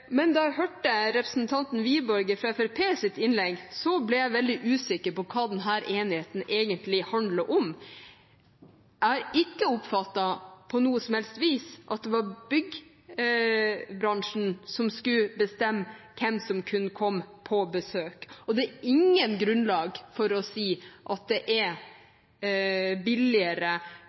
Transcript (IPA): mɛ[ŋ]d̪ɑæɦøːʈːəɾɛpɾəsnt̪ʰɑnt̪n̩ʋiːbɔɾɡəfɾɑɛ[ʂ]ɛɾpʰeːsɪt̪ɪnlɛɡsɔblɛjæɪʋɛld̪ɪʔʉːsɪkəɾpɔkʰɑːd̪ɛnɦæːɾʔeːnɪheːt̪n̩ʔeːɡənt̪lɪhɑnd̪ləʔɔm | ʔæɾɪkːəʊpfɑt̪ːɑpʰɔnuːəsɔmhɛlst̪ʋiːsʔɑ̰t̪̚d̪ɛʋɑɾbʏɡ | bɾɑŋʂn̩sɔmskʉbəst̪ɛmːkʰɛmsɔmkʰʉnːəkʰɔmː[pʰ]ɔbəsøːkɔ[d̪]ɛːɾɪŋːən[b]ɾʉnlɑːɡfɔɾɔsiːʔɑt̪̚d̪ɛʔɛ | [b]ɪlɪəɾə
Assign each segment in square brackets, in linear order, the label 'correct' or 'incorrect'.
incorrect: n, incorrect: f, correct, correct, incorrect: ɡ, correct

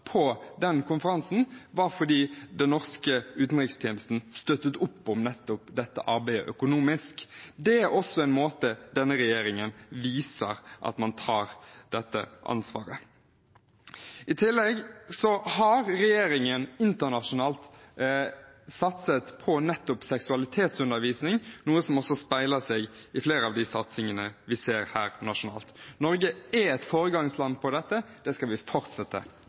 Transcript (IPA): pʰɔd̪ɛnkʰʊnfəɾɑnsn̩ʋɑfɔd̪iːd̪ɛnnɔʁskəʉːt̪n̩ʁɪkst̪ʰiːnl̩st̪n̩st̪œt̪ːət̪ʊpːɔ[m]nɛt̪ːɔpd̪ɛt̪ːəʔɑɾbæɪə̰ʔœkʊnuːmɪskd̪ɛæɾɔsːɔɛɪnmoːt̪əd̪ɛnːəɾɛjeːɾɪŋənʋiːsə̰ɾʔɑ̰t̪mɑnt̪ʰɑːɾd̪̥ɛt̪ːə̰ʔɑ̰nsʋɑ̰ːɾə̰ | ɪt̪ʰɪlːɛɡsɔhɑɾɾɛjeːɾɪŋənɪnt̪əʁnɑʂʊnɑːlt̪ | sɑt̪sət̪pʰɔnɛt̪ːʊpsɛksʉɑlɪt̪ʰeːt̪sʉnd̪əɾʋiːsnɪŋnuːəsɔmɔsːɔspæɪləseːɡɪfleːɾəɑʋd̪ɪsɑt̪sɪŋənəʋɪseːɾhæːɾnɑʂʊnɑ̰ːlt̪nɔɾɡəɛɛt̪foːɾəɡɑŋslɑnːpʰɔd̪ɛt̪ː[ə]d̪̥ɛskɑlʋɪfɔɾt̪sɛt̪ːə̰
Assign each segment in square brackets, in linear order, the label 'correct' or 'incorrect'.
correct, correct

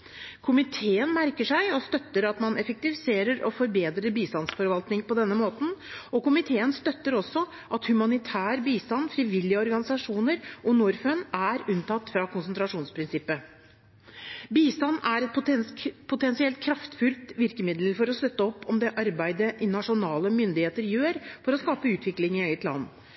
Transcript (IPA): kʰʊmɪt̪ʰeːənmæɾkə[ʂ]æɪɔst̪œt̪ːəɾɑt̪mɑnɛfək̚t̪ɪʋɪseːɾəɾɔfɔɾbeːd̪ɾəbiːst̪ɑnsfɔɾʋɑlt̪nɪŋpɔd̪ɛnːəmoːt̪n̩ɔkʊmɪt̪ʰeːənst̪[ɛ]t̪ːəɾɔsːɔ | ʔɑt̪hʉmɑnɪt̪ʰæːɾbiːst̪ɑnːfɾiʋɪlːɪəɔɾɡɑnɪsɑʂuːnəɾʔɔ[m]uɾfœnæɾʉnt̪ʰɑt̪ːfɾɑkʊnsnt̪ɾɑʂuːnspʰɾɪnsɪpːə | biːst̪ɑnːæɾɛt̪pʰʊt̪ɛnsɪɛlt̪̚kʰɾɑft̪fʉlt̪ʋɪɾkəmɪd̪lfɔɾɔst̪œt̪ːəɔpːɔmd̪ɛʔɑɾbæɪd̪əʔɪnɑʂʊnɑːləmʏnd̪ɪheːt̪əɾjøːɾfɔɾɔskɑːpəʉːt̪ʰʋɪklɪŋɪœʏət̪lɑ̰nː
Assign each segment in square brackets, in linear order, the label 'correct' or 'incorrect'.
correct, incorrect: œ, incorrect: n

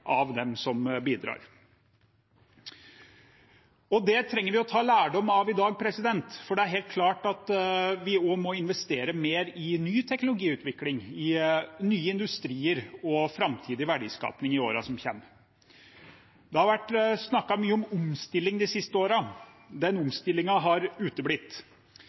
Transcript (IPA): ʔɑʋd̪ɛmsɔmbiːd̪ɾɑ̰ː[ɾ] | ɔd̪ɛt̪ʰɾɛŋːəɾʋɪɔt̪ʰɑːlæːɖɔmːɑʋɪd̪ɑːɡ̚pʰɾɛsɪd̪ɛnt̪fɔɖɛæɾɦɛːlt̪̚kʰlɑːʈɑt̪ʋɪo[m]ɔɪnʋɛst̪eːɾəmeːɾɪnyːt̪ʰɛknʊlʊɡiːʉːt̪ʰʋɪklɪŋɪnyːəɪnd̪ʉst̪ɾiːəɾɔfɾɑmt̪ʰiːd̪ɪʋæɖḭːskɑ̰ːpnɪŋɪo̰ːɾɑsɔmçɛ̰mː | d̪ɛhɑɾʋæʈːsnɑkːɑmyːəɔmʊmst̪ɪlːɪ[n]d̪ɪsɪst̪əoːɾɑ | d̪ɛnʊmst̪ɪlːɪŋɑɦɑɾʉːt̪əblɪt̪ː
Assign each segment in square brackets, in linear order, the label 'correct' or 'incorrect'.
correct, correct, incorrect: ŋ

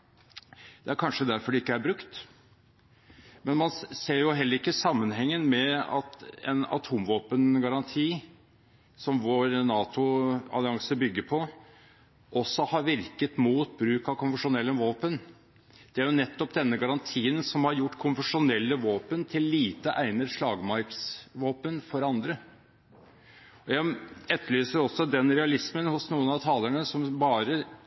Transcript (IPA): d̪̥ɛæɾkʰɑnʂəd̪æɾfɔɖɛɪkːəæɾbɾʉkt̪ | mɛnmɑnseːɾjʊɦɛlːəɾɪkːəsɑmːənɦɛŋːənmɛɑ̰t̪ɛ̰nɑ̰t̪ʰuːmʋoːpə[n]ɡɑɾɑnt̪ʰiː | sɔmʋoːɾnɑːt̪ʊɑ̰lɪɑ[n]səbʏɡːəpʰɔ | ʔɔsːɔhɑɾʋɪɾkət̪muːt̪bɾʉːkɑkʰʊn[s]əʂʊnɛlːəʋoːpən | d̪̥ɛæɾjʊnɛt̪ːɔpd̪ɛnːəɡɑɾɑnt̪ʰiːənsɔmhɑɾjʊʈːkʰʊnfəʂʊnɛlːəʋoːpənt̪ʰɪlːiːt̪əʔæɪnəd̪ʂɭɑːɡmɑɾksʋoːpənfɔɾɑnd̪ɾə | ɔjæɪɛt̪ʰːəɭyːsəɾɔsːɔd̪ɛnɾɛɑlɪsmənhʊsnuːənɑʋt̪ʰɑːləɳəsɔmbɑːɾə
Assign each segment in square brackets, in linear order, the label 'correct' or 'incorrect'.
correct, incorrect: ŋ, incorrect: f

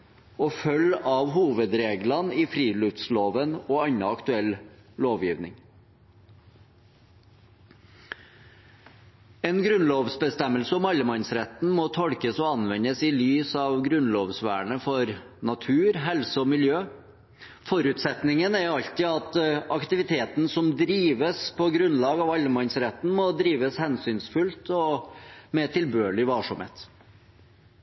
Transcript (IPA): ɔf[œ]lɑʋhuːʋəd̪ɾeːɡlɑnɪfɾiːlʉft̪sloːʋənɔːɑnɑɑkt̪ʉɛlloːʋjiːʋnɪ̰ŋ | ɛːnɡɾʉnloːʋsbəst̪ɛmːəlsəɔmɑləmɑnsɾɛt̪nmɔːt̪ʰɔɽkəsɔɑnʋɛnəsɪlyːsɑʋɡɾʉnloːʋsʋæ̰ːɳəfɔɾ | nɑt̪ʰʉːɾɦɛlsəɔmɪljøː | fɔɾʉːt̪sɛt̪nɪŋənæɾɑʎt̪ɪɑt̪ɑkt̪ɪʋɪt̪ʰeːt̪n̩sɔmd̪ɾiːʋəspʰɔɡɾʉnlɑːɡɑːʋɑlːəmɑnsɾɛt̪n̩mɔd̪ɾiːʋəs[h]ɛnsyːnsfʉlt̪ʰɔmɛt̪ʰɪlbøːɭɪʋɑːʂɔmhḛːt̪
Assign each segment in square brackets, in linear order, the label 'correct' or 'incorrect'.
correct, correct

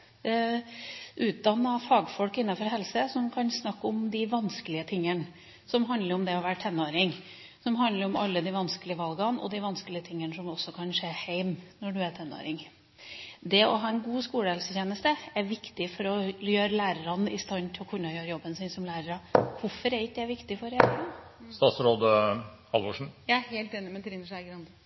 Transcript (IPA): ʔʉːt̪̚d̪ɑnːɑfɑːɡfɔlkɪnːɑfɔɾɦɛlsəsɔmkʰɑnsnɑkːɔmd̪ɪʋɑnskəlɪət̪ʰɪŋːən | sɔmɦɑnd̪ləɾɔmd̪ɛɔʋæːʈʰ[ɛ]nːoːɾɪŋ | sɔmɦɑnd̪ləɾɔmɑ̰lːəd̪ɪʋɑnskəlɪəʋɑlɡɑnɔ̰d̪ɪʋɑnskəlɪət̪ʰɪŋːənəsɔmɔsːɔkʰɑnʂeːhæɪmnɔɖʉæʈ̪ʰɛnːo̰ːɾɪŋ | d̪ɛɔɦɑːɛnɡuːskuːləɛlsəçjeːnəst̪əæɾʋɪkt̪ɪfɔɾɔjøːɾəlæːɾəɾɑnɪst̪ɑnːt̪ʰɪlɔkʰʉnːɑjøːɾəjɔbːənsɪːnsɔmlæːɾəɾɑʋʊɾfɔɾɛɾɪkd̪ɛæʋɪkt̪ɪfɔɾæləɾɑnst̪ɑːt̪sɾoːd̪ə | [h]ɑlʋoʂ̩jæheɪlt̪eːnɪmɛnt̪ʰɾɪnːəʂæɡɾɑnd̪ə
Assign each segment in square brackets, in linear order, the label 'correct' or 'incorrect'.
correct, correct

